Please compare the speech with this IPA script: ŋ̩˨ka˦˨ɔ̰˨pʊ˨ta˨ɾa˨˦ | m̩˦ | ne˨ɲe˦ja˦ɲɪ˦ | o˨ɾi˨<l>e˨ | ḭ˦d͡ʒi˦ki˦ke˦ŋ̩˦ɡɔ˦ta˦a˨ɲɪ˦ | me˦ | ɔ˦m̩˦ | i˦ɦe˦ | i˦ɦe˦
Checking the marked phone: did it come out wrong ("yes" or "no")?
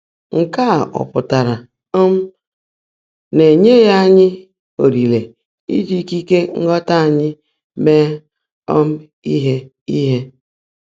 no